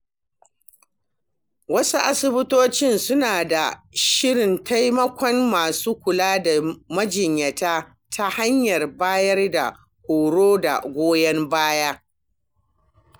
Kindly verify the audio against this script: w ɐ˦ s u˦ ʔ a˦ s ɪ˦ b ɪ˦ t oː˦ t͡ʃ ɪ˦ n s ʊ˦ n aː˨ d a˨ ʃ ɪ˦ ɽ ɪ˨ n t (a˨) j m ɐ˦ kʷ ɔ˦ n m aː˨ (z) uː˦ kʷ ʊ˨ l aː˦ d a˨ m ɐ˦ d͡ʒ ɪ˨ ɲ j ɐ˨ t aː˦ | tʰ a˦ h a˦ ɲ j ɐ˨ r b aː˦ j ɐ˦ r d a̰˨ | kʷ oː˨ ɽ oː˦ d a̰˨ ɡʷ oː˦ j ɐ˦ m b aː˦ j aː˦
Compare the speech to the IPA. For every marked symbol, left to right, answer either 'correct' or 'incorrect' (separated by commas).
incorrect, incorrect